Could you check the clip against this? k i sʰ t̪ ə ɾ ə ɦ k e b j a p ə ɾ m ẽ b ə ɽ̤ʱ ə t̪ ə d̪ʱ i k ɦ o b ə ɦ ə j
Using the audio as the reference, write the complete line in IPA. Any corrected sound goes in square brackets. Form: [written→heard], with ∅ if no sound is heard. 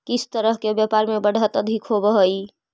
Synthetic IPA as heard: k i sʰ t̪ ə ɾ ə ɦ k e b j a p [ə→a] ɾ m [ẽ→e] b ə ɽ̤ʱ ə t̪ ə d̪ʱ i k ɦ o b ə ɦ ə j